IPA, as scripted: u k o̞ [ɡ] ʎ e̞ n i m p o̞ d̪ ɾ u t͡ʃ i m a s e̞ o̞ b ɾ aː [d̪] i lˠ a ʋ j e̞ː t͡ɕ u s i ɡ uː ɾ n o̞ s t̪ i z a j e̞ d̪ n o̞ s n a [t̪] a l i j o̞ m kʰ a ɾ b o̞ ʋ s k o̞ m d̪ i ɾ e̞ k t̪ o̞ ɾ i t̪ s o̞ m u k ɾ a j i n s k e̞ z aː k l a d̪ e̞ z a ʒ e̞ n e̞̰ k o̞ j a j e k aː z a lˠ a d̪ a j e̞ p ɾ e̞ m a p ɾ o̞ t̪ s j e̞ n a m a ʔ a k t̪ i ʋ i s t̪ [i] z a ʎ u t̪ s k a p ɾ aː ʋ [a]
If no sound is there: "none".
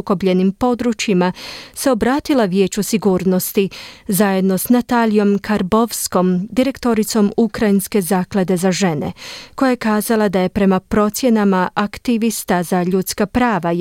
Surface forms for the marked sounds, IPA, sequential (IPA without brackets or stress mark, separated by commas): b, t̪, t̪, a, a